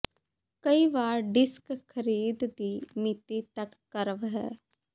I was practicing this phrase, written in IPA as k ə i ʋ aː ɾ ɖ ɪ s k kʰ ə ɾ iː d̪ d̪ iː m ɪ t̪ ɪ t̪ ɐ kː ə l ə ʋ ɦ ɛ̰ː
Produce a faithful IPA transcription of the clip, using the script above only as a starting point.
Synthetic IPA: k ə i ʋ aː ɾ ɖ ɪ s k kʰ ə ɾ iː d̪ d̪ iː m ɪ t̪ i t̪ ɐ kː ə ɾ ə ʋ ɦ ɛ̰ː